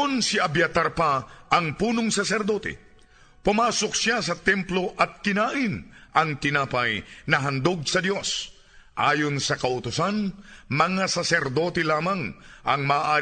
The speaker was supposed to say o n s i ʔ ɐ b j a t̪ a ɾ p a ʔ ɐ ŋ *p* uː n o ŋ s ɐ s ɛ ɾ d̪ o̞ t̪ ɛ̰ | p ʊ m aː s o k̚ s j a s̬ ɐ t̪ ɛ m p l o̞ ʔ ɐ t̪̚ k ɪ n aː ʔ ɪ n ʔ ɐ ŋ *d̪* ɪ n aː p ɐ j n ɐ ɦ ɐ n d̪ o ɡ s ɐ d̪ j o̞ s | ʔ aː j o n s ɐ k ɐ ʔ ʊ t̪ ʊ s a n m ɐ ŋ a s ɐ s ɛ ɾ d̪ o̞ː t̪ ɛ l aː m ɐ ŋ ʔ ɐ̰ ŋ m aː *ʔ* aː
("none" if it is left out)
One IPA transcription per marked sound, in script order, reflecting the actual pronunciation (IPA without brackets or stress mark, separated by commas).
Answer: p, t̪, ʔ